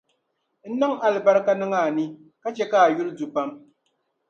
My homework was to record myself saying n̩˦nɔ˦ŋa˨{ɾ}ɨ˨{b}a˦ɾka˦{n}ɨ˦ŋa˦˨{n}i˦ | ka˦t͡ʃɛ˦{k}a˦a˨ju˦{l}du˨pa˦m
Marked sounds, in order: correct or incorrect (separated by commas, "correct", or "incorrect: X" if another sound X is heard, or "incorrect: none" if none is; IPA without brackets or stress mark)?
incorrect: l, correct, correct, correct, correct, correct